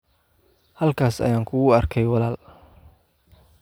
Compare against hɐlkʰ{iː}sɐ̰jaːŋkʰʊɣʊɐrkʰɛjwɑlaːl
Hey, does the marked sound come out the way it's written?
no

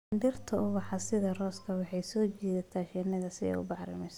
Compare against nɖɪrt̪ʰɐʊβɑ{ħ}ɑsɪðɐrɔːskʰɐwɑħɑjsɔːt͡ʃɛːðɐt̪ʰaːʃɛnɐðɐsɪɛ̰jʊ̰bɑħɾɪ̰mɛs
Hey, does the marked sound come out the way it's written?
yes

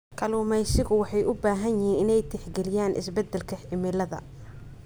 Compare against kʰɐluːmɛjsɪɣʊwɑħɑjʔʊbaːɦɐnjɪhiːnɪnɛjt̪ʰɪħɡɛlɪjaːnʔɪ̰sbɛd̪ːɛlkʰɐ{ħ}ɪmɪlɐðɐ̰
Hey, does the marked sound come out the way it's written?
yes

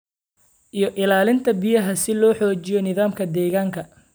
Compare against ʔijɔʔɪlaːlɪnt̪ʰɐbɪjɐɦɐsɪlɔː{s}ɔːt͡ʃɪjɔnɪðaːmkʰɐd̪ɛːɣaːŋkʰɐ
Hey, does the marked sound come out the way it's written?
no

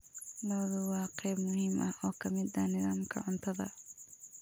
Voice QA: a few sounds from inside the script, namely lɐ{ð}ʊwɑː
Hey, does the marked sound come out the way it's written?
yes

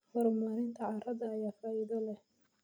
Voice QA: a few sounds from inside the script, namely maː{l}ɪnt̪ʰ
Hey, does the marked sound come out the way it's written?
no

